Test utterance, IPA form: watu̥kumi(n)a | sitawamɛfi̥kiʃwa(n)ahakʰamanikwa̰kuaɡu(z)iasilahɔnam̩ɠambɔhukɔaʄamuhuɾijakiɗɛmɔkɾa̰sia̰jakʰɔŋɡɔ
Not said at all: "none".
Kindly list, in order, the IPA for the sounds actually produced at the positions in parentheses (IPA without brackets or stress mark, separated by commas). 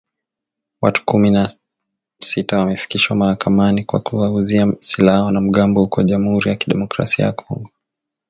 n, m, z